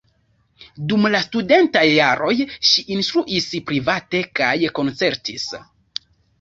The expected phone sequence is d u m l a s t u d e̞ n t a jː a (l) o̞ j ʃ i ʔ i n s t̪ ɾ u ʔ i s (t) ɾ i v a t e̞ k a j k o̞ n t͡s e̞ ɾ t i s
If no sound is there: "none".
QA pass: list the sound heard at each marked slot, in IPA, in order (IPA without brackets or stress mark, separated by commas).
ɾ, p